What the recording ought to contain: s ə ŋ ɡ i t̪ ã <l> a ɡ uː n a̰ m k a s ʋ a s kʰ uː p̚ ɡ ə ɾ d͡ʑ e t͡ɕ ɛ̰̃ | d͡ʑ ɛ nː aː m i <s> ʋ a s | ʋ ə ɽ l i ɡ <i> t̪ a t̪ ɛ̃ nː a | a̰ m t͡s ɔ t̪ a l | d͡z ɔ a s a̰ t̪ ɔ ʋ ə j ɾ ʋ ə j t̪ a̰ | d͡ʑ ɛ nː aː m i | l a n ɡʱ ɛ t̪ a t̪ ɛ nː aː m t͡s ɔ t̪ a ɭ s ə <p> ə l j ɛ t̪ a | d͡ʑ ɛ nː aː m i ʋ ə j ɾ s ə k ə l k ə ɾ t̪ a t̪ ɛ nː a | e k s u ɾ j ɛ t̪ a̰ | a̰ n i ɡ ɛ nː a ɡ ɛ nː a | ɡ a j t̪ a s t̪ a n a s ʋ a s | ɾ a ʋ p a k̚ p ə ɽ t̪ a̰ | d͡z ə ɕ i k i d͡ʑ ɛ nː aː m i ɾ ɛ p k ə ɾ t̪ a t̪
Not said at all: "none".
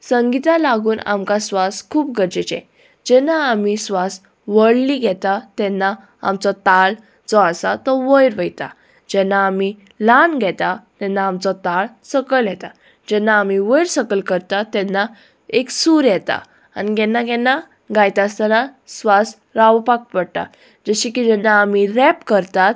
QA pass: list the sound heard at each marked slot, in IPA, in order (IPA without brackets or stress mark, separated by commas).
l, s, ɛ, k